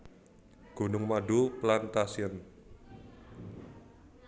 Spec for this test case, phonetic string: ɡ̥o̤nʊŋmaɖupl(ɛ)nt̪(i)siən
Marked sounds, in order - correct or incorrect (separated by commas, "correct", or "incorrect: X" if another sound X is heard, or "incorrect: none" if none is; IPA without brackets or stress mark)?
incorrect: a, incorrect: a